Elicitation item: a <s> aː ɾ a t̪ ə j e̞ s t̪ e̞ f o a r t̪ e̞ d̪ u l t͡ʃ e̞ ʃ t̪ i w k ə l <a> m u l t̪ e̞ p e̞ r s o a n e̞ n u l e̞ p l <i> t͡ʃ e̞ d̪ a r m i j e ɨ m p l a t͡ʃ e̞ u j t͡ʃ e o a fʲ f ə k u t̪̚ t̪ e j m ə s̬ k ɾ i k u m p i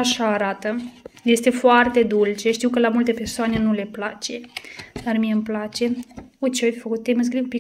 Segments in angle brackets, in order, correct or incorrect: incorrect: ʃ, correct, incorrect: a

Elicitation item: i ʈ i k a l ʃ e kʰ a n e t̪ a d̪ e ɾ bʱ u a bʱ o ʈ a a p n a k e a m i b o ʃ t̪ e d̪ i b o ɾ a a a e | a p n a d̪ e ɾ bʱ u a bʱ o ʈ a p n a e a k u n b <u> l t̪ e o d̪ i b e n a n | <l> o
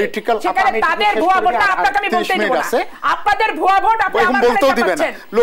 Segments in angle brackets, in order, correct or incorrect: incorrect: o, correct

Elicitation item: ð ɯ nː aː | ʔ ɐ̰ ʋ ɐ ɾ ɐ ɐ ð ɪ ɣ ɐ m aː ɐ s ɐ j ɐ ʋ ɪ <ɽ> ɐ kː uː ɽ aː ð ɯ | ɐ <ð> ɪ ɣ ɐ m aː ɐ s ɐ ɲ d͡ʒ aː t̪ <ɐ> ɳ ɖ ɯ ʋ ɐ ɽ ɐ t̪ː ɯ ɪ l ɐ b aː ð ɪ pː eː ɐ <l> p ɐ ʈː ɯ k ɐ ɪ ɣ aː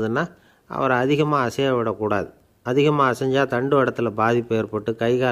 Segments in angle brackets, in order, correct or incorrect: correct, correct, correct, incorrect: ɾ

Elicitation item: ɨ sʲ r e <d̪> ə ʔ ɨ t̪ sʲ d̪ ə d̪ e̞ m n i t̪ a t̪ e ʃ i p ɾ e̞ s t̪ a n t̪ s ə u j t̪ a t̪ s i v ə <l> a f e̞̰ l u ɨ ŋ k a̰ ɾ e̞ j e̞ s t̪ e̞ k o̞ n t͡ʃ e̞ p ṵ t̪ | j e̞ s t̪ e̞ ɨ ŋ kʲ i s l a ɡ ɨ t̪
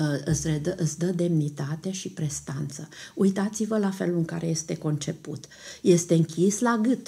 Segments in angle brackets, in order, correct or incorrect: correct, correct

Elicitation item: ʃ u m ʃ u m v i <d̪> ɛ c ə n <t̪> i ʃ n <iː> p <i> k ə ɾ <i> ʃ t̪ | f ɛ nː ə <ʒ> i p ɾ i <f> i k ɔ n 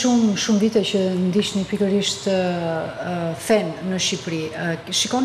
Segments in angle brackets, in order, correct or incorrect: incorrect: t̪, incorrect: d̪, incorrect: i, correct, correct, incorrect: ʃ, incorrect: ʃ

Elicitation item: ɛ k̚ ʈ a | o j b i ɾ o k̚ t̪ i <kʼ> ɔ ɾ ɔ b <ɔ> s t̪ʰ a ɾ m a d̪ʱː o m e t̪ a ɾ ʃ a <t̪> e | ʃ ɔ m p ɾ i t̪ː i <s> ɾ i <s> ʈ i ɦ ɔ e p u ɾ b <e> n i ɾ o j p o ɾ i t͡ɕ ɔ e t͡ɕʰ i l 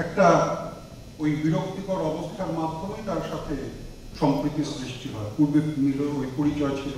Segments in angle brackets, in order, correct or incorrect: incorrect: k, incorrect: o, incorrect: t̪ʰ, correct, incorrect: ʃ, correct

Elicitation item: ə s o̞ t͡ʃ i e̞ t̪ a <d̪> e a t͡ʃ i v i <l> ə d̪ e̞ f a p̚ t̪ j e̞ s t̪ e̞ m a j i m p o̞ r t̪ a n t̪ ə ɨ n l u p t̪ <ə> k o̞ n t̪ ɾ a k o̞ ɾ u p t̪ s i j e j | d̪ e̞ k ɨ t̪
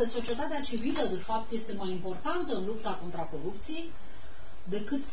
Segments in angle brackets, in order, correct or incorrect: incorrect: t̪, correct, incorrect: a

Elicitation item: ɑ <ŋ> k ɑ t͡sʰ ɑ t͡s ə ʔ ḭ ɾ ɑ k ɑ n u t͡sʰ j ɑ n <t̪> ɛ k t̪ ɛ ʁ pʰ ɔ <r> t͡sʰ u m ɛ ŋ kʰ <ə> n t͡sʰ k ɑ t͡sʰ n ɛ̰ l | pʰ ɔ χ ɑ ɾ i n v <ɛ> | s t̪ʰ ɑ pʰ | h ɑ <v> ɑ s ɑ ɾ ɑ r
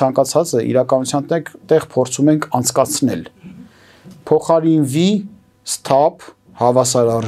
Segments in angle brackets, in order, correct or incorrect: correct, correct, incorrect: ɾ, incorrect: ɑ, incorrect: i, correct

